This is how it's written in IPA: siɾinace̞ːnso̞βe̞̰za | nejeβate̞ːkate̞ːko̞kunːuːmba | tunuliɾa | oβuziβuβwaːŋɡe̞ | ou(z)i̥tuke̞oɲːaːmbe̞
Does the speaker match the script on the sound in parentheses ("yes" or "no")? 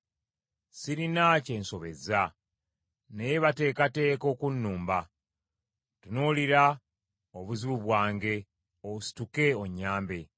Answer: no